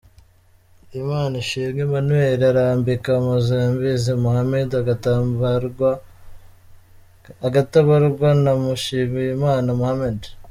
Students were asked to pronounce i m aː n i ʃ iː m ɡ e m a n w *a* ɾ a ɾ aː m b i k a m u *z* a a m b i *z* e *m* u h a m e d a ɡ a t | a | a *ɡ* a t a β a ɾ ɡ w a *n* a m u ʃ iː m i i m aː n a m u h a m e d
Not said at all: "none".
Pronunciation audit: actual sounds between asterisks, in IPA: e, z, z, m, ɡ, n

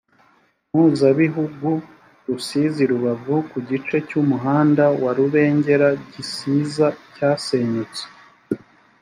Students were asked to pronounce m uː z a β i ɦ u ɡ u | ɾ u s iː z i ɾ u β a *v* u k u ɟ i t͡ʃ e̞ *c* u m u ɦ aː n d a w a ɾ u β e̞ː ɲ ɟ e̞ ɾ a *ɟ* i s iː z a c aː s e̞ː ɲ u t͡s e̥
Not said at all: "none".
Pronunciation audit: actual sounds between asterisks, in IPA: v, c, ɟ

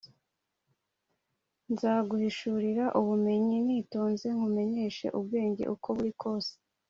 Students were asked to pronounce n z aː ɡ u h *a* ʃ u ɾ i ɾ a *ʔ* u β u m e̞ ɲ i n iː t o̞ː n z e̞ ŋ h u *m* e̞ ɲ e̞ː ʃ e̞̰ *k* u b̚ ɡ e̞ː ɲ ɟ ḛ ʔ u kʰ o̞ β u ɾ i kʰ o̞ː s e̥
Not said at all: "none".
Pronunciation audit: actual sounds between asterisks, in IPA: i, ʔ, m, ʔ

